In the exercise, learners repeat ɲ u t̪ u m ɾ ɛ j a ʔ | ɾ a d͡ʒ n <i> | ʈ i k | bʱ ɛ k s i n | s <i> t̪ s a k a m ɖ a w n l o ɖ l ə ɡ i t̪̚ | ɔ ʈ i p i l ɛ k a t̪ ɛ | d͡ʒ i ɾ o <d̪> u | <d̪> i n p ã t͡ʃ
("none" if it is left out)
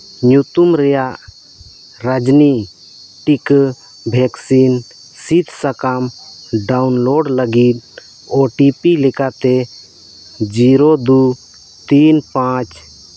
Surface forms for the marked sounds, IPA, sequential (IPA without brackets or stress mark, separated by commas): i, i, d̪, t̪